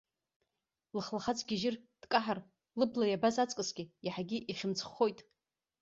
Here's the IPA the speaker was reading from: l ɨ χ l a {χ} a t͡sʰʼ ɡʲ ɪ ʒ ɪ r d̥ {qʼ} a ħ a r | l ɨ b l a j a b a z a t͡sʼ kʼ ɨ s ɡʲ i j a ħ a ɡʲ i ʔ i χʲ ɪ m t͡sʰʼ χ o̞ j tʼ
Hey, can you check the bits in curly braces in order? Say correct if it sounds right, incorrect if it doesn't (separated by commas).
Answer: correct, incorrect